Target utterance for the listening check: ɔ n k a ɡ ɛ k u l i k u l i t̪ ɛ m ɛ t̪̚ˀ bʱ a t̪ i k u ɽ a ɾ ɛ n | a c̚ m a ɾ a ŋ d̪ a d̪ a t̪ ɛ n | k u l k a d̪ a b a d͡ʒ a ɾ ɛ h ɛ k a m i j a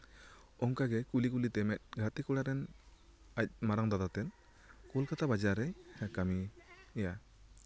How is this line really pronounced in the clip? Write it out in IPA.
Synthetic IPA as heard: ɔ ŋ k a ɡ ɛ k u l i k u l i t̪ ɛ m ɛ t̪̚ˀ ɡʱ a t̪ i k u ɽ a ɾ ɛ n | a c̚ m a ɾ a ŋ d̪ a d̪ a t̪ ɛ n | k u l k a t̪ a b a d͡ʒ a ɾ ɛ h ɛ k a m i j a